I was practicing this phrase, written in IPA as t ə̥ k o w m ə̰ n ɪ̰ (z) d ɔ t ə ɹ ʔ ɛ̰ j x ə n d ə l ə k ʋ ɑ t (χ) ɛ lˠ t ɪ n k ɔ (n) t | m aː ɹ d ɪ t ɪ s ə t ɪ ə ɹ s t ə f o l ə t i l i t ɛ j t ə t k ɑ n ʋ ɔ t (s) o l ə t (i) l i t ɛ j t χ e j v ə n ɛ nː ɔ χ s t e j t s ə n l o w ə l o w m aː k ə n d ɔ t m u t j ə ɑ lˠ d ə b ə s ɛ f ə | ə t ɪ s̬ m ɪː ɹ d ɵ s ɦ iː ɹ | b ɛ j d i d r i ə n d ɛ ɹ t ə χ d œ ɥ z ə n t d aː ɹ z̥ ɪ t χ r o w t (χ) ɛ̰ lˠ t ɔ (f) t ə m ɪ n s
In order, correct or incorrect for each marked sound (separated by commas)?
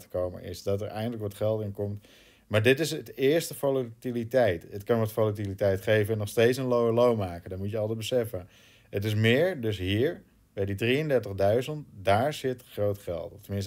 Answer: incorrect, correct, incorrect, incorrect, correct, correct, correct